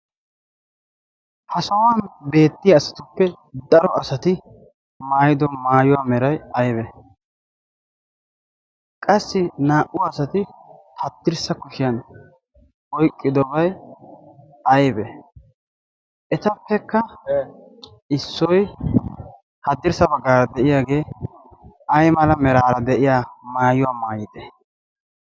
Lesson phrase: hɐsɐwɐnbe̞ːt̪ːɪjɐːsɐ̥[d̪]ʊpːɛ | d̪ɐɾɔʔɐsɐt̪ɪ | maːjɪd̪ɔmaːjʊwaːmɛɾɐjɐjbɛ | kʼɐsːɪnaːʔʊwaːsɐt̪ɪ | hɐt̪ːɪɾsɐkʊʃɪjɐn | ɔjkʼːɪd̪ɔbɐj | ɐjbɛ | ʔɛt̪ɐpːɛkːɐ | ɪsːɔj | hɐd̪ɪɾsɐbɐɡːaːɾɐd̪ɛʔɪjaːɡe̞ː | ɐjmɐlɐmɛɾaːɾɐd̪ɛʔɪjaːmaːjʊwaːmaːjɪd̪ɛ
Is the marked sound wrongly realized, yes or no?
yes